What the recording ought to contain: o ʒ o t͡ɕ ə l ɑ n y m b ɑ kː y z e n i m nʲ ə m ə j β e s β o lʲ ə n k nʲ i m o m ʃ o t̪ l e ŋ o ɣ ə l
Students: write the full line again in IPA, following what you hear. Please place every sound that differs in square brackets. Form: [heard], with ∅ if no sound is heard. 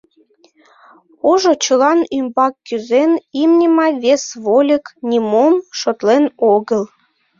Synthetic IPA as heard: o ʒ o t͡ɕ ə l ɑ n y m b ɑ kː y z e n i m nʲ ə m [ɑ] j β e s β o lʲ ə [∅] k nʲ i m o m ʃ o t̪ l e [n] o ɣ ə l